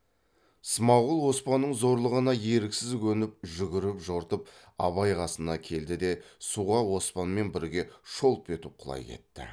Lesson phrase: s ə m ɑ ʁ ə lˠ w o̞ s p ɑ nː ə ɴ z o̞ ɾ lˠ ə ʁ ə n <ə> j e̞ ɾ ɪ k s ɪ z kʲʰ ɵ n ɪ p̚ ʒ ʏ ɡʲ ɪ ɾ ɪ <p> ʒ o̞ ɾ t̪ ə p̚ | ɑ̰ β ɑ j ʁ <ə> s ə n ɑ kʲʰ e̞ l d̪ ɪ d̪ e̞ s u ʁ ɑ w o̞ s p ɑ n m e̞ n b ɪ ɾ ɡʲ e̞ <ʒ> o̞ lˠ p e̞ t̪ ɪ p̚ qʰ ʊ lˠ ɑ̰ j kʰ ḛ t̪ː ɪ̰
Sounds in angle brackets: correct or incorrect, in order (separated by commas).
incorrect, correct, incorrect, incorrect